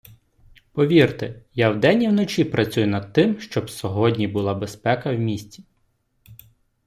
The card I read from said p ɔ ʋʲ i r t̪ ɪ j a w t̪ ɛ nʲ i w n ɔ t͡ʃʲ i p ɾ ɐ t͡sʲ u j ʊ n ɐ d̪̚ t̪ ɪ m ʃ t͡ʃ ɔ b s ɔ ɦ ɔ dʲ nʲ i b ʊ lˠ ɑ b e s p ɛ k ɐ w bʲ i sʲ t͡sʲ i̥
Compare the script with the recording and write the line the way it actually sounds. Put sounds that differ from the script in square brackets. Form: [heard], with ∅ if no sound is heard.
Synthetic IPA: p ɔ ʋʲ i r t̪ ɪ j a w [d̪] ɛ nʲ i w n ɔ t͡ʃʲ i p ɾ ɐ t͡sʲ u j ʊ n ɐ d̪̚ t̪ ɪ m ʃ t͡ʃ ɔ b s ɔ ɦ ɔ dʲ nʲ i b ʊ lˠ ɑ b e s p ɛ k ɐ w [mʲ] i sʲ t͡sʲ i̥